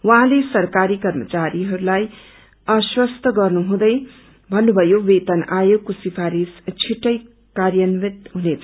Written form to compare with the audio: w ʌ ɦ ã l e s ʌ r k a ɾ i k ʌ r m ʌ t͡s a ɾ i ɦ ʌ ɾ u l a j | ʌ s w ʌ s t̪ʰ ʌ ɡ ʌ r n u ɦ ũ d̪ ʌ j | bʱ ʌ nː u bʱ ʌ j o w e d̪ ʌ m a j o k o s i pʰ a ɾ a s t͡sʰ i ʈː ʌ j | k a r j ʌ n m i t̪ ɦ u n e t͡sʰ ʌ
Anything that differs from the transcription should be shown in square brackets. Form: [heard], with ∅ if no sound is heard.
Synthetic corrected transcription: w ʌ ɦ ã l e s ʌ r k a ɾ i k ʌ r m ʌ t͡s a ɾ i ɦ ʌ ɾ u l a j | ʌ s w ʌ s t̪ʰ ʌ ɡ ʌ r n u ɦ ũ d̪ ʌ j | bʱ ʌ nː u bʱ ʌ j o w e [t̪] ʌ [n] a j o k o s i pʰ a ɾ [i] s t͡sʰ i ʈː ʌ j | k a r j ʌ n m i t̪ ɦ u n e t͡sʰ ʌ